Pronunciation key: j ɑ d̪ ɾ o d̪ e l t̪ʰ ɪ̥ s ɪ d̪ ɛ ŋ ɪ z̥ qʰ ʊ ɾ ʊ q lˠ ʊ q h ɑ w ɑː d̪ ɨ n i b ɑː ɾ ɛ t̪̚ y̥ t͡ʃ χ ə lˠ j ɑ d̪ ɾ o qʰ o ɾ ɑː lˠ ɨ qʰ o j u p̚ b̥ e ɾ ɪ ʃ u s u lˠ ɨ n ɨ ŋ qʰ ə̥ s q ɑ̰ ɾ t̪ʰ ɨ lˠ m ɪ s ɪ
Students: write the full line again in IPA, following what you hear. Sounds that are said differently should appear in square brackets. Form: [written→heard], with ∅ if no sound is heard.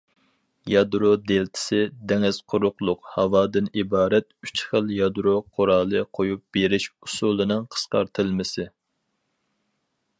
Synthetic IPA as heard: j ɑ d̪ ɾ o d̪ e l t̪ʰ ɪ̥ s ɪ d̪ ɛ ŋ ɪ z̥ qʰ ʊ ɾ ʊ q lˠ ʊ q h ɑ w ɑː d̪ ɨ n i b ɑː ɾ ɛ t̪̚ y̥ t͡ʃ χ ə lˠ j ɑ d̪ ɾ o qʰ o ɾ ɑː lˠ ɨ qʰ o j u p̚ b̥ e ɾ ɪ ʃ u s u lˠ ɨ n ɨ ŋ qʰ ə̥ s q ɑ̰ ɾ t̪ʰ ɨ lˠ m ɪ s ɪ